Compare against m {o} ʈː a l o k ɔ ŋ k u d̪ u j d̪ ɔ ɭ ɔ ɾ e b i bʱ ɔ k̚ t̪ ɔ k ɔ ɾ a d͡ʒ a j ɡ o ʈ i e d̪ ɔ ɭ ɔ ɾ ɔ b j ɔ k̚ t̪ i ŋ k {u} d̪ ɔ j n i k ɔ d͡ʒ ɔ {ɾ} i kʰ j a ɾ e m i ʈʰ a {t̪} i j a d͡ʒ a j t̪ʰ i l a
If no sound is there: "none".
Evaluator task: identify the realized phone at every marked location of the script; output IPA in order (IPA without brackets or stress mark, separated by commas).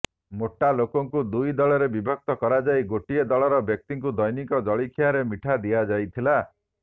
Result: o, u, ɭ, d̪